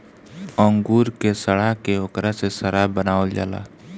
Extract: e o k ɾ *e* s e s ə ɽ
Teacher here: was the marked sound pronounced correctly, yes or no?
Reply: no